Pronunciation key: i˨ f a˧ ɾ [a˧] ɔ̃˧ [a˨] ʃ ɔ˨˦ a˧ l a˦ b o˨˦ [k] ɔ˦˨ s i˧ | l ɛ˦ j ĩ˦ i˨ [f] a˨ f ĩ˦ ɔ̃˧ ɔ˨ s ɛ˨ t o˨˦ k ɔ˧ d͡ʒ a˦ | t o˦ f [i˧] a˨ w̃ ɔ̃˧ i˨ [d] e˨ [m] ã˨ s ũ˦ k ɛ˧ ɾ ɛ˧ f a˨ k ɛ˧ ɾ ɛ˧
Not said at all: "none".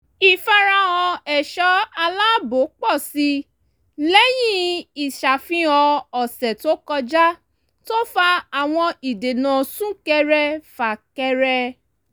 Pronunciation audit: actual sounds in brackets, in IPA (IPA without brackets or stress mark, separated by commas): a˧, ɛ˨, k͡p, ʃ, a˧, d, n